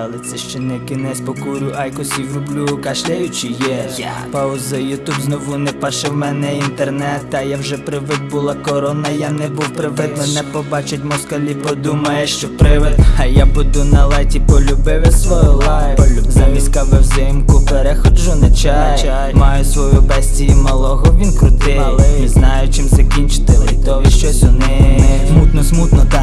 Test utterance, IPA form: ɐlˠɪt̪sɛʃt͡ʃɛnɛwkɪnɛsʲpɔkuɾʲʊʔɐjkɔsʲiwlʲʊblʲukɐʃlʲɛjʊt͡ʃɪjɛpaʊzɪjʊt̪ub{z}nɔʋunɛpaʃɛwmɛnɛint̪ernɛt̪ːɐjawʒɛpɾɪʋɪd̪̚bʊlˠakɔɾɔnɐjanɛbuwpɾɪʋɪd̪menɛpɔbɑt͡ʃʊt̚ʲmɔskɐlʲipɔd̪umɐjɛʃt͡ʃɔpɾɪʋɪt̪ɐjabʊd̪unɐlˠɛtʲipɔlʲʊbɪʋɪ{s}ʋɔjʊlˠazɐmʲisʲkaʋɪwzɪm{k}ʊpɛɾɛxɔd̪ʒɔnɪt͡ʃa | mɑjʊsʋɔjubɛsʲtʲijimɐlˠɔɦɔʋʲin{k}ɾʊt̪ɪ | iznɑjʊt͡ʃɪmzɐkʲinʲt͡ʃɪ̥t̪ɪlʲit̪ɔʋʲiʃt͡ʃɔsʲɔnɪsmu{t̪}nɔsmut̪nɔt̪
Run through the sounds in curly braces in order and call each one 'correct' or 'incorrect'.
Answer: correct, correct, correct, correct, correct

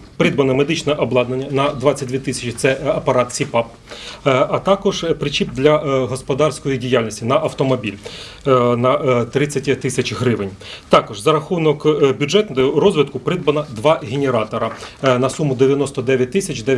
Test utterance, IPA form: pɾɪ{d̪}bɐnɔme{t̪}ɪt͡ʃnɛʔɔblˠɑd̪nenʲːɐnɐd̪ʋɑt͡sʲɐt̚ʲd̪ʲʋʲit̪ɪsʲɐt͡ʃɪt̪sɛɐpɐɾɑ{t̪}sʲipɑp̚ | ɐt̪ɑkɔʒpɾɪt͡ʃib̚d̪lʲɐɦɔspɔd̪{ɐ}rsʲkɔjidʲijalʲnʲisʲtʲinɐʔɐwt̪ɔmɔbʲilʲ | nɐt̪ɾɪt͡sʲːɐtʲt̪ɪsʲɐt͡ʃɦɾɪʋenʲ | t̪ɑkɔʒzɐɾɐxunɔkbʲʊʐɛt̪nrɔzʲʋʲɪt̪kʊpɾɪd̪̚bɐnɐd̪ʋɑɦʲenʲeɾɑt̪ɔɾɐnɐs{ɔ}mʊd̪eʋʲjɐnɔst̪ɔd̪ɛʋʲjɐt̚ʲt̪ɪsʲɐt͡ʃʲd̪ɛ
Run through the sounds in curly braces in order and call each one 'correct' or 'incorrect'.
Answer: correct, incorrect, correct, incorrect, incorrect

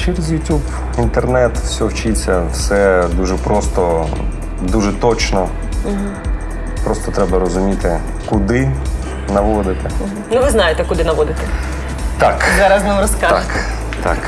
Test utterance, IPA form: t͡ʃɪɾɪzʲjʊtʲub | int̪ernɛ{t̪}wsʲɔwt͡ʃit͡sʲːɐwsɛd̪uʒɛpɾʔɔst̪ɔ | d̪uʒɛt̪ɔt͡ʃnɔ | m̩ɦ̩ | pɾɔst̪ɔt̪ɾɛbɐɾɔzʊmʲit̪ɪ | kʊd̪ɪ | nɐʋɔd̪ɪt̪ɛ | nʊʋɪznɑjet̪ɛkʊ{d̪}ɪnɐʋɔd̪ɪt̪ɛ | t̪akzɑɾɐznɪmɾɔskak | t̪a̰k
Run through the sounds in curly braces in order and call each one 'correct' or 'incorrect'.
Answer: correct, correct

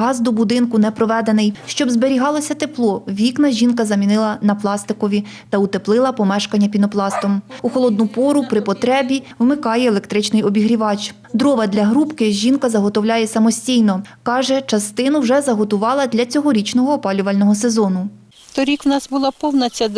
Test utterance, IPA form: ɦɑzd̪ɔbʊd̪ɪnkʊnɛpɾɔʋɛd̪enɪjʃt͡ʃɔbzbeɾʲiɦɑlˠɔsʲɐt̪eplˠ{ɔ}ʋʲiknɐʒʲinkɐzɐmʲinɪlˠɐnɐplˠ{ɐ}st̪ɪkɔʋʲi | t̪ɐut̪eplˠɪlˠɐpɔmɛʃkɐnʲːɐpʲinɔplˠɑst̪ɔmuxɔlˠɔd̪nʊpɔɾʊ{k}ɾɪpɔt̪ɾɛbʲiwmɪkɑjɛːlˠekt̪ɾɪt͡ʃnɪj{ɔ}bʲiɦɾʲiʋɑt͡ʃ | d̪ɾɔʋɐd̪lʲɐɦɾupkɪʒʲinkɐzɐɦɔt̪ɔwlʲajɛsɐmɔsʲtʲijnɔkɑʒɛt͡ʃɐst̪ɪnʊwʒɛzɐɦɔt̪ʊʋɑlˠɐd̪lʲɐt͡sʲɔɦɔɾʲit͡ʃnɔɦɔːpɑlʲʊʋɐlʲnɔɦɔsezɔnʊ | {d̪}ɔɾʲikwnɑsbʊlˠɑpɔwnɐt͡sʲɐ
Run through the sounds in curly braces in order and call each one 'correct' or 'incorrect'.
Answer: correct, incorrect, incorrect, correct, incorrect

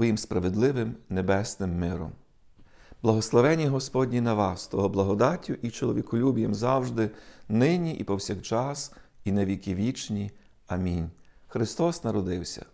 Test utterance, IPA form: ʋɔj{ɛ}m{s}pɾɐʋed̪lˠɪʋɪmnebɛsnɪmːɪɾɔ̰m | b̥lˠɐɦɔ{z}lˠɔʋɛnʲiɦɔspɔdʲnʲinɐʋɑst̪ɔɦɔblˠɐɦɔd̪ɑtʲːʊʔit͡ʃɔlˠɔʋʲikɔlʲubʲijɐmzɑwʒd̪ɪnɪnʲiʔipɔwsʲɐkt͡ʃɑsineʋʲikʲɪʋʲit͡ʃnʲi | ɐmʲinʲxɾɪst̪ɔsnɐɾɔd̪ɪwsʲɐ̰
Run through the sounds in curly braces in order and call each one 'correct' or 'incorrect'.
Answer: incorrect, correct, incorrect

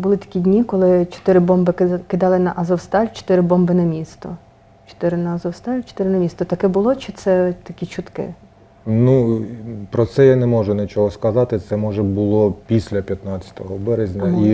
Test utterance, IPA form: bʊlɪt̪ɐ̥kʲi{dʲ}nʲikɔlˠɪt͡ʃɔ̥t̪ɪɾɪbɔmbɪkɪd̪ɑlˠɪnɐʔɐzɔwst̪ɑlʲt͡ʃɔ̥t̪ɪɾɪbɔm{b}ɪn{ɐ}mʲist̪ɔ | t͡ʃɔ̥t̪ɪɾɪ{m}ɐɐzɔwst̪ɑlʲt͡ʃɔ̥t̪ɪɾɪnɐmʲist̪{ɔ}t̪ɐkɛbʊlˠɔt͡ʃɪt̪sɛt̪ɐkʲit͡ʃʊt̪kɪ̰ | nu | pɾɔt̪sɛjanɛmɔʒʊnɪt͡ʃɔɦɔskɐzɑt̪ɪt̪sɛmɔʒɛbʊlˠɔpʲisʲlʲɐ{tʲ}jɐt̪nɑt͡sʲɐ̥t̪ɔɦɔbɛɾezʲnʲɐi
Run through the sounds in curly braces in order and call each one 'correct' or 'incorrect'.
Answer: correct, correct, correct, incorrect, correct, incorrect

